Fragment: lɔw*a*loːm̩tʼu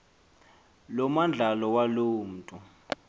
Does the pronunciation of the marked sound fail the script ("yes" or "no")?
no